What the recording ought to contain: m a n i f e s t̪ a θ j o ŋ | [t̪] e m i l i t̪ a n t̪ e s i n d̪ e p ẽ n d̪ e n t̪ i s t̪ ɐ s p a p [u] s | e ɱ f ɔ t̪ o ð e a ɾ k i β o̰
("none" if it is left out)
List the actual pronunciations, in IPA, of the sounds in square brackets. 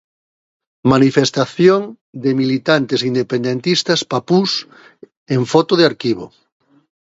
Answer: d̪, u

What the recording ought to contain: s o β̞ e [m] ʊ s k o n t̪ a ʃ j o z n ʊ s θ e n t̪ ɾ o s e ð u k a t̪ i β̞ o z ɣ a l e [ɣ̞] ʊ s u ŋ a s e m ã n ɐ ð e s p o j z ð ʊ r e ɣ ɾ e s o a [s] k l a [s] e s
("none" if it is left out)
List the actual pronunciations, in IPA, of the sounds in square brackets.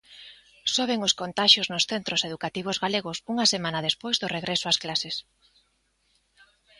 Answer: ŋ, ɣ̞, s, s

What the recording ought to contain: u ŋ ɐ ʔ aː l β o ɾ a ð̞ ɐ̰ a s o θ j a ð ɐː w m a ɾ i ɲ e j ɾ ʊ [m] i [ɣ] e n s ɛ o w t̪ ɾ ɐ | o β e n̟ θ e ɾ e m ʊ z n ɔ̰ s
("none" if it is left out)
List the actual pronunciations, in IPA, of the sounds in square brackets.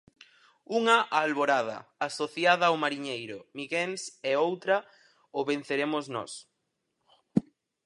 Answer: m, ɣ

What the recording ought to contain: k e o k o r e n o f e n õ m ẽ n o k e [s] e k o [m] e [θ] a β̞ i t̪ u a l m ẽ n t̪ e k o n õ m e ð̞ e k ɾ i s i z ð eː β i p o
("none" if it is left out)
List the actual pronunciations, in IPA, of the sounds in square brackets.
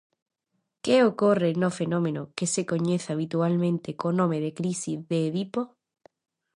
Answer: s, ɲ, θ

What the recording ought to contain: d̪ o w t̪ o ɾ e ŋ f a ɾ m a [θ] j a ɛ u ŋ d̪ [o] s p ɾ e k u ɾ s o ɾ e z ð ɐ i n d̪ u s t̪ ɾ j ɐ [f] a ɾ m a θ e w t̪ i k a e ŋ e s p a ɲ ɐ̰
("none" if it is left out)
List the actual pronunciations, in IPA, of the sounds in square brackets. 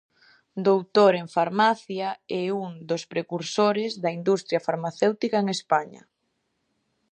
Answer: θ, o, f

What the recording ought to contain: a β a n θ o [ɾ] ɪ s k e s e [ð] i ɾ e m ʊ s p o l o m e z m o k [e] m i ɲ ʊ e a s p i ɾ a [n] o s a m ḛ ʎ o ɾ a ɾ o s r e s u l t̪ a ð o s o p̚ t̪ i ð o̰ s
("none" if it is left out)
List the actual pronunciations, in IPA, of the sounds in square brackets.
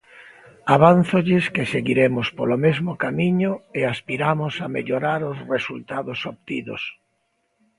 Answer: ʎ, ɣ, a, m

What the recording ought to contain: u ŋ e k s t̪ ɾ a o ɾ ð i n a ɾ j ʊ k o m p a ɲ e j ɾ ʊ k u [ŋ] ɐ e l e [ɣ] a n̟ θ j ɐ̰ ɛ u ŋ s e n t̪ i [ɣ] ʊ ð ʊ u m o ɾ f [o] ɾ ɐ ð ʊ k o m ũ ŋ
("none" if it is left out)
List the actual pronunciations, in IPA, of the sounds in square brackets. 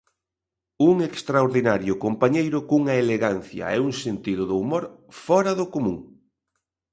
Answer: ŋ, ɣ, ð, ɔ

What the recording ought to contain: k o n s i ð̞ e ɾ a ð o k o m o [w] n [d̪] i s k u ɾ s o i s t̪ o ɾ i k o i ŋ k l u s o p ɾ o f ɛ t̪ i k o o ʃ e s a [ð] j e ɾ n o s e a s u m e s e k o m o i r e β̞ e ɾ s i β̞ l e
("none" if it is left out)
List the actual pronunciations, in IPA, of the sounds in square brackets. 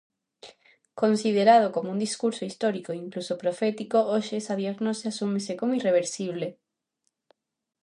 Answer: u, d̪, ð

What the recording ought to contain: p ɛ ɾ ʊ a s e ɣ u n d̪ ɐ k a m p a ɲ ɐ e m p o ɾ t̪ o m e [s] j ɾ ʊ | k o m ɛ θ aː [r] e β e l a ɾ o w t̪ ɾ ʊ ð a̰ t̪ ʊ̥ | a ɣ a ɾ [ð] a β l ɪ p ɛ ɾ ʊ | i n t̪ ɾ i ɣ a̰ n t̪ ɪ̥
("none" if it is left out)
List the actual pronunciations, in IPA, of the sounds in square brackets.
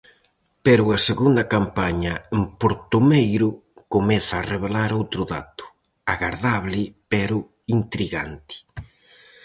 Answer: none, r, ð

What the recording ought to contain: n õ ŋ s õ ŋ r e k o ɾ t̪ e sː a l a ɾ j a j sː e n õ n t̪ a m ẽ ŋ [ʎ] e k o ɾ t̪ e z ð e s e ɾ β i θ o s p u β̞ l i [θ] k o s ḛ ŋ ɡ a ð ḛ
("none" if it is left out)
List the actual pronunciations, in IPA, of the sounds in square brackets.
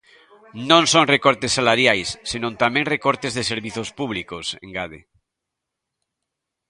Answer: r, none

